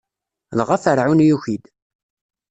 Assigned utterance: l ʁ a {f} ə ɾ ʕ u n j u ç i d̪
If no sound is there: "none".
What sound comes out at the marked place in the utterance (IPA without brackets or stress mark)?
f